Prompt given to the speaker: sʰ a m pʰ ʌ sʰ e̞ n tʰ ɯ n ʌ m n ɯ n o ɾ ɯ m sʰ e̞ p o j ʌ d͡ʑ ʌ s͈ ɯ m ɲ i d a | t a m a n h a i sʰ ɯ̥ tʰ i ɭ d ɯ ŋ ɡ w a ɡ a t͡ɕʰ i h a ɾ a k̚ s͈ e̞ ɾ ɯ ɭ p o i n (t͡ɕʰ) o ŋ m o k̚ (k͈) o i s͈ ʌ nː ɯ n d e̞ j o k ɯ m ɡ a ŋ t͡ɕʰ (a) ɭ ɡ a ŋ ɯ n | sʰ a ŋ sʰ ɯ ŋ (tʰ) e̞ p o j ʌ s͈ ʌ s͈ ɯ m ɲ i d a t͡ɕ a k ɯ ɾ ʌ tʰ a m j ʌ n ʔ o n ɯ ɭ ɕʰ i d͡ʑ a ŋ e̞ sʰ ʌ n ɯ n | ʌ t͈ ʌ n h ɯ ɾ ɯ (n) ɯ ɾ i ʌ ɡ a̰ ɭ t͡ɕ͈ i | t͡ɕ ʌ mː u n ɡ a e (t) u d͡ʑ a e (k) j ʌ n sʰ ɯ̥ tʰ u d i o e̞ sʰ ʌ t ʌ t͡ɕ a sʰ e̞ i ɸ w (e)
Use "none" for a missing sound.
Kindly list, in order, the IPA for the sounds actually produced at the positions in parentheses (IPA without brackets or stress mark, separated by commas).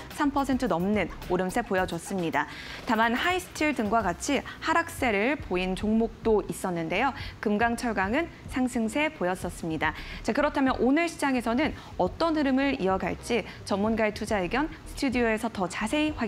t͡ɕ, t͈, ʌ, sʰ, m, tʰ, ɡ, a